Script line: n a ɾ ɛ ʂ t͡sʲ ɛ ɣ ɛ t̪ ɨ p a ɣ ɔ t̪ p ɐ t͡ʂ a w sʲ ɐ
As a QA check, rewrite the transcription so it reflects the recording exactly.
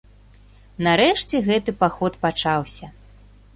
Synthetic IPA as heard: n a ɾ ɛ ʂ t͡sʲ ɛ ɣ ɛ t̪ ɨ p a x ɔ t̪ p a t͡ʂ a w sʲ ɐ